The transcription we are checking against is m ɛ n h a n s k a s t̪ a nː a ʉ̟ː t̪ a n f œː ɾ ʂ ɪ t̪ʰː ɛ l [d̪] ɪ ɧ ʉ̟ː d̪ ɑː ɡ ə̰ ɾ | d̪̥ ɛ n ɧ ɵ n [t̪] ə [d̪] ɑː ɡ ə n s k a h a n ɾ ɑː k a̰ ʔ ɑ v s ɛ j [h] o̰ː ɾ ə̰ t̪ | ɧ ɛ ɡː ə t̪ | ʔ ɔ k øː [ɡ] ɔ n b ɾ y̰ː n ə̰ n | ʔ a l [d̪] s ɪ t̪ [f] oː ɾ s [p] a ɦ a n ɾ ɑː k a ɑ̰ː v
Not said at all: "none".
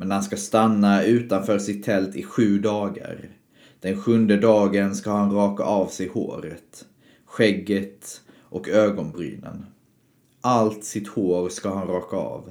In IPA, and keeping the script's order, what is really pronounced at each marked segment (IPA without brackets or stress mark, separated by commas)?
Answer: t̪, d̪, d̪, h, ɡ, t̪, h, k